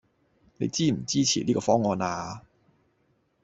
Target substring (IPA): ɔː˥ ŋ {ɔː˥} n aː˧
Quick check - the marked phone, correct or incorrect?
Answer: incorrect: ɔː˧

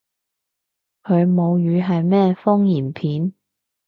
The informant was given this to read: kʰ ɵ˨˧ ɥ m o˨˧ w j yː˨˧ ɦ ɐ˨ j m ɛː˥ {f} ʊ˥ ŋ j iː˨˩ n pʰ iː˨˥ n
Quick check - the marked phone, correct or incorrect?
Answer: correct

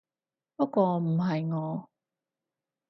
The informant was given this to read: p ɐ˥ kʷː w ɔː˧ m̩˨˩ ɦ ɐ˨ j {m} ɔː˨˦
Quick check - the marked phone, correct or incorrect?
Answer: incorrect: ŋ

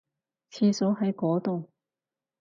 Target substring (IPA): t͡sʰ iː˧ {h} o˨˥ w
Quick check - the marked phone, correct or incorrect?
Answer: incorrect: s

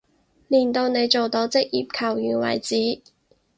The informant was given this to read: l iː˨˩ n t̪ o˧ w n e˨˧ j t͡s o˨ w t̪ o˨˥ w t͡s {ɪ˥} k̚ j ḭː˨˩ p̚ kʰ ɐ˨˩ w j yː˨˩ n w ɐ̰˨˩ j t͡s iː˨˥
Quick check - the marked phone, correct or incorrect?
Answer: correct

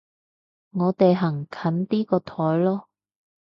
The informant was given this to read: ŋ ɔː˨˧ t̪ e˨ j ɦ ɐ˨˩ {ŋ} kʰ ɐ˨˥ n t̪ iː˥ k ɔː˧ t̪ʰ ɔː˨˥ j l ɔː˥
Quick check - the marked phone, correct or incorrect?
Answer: correct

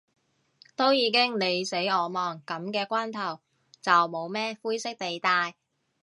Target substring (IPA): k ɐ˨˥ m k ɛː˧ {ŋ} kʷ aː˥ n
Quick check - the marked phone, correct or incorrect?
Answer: incorrect: none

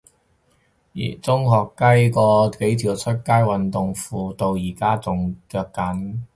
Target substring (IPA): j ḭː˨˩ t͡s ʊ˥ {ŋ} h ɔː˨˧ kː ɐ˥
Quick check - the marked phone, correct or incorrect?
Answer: correct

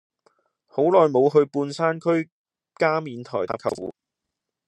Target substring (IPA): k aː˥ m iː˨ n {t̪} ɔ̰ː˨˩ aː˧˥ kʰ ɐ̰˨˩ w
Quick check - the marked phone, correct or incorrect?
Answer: incorrect: t̪ʰ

